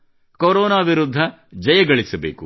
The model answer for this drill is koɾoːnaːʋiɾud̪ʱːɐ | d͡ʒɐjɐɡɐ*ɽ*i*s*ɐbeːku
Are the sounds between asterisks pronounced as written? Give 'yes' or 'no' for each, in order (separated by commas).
no, yes